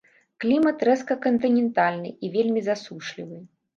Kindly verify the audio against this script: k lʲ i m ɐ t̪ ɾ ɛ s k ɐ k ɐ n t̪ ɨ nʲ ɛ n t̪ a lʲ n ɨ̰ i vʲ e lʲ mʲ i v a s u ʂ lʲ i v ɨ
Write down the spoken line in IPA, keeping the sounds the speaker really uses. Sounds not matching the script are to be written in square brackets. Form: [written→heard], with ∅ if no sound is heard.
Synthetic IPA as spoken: k lʲ i m ɐ t̪ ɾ ɛ s k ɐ k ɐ n t̪ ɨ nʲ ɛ n t̪ a lʲ n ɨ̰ i vʲ e lʲ mʲ i [v→z] a s u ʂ lʲ i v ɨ